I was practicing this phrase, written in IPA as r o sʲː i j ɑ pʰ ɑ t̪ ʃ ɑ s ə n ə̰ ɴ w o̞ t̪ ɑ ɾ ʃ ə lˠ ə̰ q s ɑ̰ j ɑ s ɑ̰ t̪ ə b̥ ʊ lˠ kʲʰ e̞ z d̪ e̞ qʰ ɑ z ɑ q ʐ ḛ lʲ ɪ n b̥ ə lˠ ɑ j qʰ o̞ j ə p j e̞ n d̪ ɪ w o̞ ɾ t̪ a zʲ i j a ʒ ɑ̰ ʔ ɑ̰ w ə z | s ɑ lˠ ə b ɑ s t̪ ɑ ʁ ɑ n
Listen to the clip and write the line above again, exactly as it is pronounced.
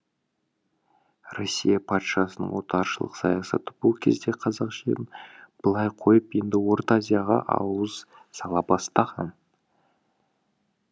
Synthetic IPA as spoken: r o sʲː i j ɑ pʰ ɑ t̪ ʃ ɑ s ə n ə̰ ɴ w o̞ t̪ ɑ ɾ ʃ ə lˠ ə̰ q s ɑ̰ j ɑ s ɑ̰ t̪ ə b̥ ʊ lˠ kʲʰ e̞ z d̪ e̞ qʰ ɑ z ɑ q ʒ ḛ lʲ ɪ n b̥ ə lˠ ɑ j qʰ o̞ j ə p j e̞ n d̪ ɪ w o̞ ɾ t̪ a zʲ i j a ʁ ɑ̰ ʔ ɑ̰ w ə z | s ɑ lˠ ɑ b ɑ s t̪ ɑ ʁ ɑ n